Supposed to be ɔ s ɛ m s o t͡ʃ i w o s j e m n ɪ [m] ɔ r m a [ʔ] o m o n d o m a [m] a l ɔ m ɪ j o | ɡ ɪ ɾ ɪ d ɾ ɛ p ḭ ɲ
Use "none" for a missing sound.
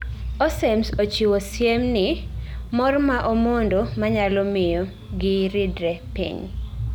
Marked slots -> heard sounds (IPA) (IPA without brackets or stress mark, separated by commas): m, ʔ, ɲ